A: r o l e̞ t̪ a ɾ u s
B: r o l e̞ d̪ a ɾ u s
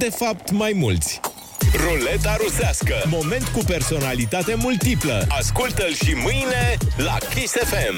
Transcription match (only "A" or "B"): A